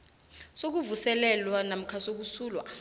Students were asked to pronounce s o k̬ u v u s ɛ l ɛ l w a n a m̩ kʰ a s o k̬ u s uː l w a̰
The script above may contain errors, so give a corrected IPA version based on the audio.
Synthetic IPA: s o k̬ u v u s ɛ l ɛ l w a n a m̩ kʰ a s o k̬ u s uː l w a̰